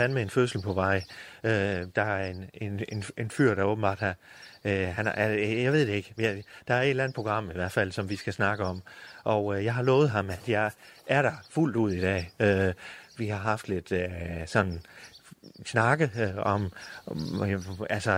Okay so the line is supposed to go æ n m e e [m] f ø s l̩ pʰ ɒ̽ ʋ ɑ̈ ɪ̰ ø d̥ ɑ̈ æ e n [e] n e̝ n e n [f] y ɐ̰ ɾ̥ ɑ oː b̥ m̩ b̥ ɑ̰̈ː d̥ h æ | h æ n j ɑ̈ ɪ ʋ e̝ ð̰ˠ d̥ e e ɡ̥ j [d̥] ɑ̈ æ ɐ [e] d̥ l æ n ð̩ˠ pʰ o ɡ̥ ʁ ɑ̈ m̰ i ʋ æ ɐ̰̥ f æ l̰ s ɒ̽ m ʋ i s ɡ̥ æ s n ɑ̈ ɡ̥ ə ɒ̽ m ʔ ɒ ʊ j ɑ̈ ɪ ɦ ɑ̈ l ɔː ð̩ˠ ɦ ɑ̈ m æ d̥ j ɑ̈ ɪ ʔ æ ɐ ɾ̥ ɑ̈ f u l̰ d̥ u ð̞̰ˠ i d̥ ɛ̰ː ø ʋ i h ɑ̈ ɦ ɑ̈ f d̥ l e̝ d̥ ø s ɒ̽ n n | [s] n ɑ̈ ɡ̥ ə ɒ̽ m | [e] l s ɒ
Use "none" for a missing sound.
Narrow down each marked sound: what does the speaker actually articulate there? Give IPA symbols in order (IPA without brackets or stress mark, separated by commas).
n, e, f, d̥, e, s, æ